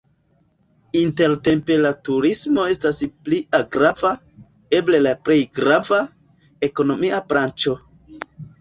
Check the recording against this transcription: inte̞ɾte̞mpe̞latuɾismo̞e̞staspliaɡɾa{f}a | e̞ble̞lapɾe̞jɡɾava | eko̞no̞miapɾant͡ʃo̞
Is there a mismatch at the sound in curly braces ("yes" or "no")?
yes